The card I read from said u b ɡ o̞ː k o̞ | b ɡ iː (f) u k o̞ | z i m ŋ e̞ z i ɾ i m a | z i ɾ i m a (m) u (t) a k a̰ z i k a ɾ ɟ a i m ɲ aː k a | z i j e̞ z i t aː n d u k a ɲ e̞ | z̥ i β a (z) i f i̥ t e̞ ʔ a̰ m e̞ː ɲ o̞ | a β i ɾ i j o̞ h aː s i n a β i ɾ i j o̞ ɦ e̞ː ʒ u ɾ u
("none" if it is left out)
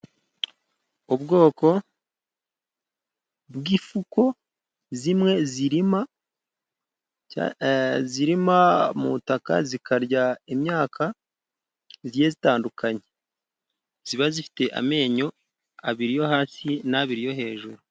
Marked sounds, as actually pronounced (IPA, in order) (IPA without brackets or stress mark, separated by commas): f, m, t, z